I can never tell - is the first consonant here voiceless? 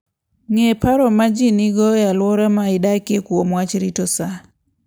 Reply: no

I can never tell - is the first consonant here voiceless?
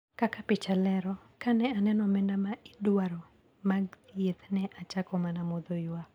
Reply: yes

